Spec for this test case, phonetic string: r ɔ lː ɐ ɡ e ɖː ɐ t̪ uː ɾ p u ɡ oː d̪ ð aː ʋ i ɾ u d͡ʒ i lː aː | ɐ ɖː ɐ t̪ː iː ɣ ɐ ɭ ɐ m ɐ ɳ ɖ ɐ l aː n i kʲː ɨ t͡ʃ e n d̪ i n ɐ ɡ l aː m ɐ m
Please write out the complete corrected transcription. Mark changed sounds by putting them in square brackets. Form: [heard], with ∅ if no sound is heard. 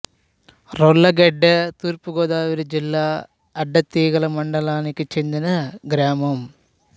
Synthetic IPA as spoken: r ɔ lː ɐ ɡ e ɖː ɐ t̪ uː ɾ p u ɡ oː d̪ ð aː ʋ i ɾ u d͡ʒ i lː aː | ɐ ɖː ɐ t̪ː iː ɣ ɐ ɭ ɐ m ɐ ɳ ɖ ɐ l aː n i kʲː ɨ t͡ʃ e n d̪ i n ɐ ɡ [ɾ] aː m ɐ m